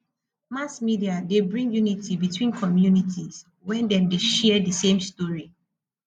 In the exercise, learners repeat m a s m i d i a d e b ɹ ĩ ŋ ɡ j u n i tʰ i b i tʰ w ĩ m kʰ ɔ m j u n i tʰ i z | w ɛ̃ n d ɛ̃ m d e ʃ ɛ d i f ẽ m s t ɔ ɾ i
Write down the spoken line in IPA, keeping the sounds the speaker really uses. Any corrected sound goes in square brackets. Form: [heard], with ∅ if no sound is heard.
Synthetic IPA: m a s m i d i a d e b ɹ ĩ ŋ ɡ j u n i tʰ i b i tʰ w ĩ [n] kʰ ɔ m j u n i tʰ i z | w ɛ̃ n d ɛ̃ m d e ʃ ɛ d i [s] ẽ m s t ɔ [ɹ] i